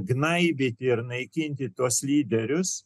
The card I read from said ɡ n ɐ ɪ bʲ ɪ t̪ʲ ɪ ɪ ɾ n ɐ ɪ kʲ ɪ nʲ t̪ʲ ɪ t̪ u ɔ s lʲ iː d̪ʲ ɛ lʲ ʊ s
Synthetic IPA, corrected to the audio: ɡ n ɐ ɪ bʲ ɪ t̪ʲ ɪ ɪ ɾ n ɐ ɪ kʲ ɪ nʲ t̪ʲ ɪ t̪ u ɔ s lʲ iː d̪ʲ ɛ ɾʲ ʊ s